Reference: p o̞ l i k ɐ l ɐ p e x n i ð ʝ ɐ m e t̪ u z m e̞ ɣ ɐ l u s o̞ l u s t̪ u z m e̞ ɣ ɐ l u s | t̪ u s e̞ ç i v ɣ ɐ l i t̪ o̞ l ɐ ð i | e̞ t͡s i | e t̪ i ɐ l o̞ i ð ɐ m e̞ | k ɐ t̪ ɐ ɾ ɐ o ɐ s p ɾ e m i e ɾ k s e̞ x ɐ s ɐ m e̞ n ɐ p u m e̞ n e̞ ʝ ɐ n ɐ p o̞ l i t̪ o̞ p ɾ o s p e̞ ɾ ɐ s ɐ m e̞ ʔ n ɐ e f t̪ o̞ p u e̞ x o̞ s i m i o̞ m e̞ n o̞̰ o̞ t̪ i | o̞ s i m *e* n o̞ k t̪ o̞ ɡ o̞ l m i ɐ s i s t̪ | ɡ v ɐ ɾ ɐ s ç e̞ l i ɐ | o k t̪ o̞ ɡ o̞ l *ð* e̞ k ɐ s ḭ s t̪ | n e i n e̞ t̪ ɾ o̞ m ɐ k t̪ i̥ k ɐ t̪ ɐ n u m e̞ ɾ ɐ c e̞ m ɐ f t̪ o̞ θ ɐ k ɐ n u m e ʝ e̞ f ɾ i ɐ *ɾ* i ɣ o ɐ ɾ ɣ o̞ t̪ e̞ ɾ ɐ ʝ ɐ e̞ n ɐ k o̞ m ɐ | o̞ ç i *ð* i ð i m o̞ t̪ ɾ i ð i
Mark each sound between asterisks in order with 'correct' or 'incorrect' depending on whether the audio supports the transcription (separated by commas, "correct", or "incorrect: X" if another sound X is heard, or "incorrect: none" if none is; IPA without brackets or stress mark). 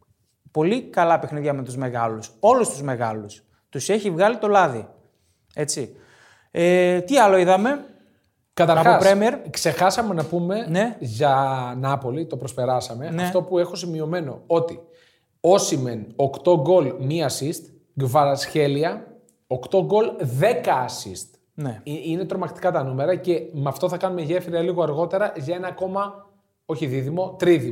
correct, correct, incorrect: l, correct